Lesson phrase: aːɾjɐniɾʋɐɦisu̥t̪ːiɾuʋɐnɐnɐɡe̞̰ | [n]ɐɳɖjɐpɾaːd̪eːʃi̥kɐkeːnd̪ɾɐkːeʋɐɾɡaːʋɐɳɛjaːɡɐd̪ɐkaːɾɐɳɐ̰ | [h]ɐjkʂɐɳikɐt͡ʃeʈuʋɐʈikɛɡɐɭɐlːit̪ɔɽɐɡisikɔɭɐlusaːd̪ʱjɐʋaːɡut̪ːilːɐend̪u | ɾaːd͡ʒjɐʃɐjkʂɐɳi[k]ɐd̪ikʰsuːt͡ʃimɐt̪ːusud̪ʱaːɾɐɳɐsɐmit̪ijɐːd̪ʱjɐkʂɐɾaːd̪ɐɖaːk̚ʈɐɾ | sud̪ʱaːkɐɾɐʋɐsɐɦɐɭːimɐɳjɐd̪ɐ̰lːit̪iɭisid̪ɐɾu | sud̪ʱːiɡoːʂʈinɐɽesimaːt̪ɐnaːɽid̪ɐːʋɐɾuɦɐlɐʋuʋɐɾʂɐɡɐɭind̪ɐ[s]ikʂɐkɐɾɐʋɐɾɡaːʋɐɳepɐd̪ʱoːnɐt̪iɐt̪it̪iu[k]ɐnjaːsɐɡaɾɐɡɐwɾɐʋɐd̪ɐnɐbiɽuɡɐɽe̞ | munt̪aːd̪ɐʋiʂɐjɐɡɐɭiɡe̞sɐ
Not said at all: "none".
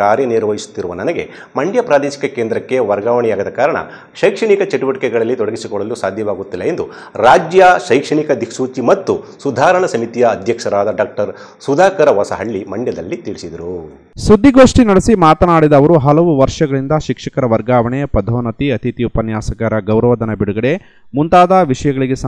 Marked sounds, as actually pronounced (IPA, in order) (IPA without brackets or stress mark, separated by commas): m, ʃ, k, ʃ, p